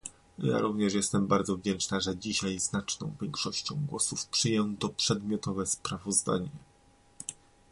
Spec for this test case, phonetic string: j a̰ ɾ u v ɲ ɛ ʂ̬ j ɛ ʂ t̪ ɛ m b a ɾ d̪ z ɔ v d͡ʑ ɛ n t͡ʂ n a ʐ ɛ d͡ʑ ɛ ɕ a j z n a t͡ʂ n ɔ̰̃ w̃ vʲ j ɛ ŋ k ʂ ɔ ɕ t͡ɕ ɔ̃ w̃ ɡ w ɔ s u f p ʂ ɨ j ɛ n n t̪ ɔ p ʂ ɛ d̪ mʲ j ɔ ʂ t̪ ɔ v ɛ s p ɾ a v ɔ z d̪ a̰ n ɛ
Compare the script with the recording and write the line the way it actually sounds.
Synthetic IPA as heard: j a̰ ɾ u v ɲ ɛ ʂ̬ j ɛ s t̪ ɛ m b a ɾ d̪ z ɔ v d͡ʑ ɛ n t͡ʂ n a ʐ ɛ d͡ʑ i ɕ a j z n a t͡ʂ n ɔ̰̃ w̃ vʲ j ɛ ŋ k ʂ ɔ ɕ t͡ɕ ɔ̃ w̃ ɡ w ɔ s u f p ʂ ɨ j ɛ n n t̪ ɔ p ʂ ɛ d̪ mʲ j ɔ t̪ ɔ v ɛ s p ɾ a v ɔ z d̪ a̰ ɲ ɛ